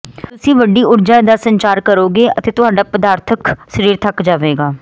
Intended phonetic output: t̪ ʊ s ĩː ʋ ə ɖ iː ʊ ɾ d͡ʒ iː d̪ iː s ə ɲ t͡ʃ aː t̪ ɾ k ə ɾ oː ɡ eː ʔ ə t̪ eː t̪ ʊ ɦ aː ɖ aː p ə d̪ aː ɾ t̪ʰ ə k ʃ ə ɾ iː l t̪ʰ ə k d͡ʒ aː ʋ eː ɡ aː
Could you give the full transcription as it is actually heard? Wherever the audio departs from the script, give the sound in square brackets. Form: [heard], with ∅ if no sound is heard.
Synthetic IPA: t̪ ʊ s ĩː ʋ ə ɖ iː ʊ ɾ d͡ʒ [aː] d̪ [aː] s ə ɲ t͡ʃ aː [∅] ɾ k ə ɾ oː ɡ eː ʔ ə t̪ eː t̪ ʊ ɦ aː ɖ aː p ə d̪ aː ɾ t̪ʰ ə k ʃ ə ɾ iː [ɾ] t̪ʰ ə k d͡ʒ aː ʋ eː ɡ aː